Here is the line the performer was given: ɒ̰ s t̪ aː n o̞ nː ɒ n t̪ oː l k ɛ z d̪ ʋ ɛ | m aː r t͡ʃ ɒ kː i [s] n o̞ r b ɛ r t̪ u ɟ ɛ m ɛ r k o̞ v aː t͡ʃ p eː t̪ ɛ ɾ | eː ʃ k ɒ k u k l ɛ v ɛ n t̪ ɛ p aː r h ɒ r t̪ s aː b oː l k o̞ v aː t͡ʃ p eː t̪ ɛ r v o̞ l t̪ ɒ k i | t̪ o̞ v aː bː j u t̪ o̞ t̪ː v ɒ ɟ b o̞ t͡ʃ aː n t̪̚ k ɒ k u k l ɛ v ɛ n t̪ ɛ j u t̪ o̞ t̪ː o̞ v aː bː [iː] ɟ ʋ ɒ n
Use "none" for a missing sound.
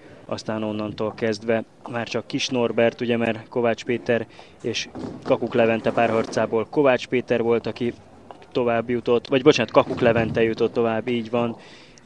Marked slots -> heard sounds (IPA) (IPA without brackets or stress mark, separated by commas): ʃ, iː